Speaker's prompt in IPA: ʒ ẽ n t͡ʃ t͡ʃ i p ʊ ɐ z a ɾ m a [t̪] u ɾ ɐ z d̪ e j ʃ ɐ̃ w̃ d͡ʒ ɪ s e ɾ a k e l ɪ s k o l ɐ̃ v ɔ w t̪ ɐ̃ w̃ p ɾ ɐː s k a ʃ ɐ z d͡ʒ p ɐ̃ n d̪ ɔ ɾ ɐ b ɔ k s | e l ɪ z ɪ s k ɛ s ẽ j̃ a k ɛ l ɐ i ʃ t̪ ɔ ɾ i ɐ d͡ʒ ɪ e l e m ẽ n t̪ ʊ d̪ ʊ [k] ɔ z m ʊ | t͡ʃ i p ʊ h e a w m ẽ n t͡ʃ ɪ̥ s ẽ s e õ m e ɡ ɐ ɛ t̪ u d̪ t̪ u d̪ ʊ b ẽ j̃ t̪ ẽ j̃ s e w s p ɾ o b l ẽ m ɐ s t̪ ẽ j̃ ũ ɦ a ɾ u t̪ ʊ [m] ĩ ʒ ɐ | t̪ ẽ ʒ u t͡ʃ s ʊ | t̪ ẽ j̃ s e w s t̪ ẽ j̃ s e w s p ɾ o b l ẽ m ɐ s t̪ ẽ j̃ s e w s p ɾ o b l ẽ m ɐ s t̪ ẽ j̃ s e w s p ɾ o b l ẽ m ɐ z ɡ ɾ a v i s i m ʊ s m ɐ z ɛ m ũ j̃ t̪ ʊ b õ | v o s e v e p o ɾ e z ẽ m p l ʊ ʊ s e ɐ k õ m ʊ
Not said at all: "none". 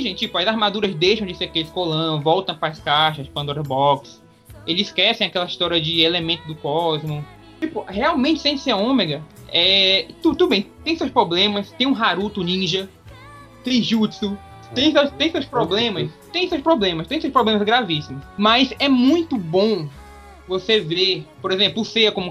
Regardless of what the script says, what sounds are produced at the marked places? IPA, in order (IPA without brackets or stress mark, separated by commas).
d̪, k, n